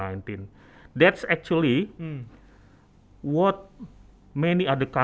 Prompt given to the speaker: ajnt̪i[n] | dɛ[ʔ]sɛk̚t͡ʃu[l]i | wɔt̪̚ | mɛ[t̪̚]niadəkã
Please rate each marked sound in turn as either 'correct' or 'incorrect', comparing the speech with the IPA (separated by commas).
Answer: correct, incorrect, correct, incorrect